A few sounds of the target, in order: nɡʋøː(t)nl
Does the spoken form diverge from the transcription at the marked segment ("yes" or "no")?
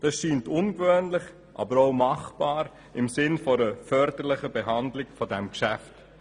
yes